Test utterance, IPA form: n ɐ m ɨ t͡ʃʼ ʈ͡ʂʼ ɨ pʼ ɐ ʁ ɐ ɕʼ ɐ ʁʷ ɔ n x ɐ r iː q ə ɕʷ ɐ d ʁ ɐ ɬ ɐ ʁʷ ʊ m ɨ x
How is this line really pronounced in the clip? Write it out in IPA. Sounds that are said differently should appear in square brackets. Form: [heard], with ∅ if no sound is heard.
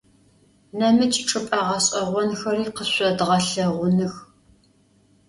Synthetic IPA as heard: n ɐ m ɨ t͡ʃʼ ʈ͡ʂʼ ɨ pʼ ɐ ʁ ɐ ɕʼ ɐ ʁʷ ɔ n x ɐ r iː q ə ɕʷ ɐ d ʁ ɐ ɬ ɐ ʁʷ ʊ [n] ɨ x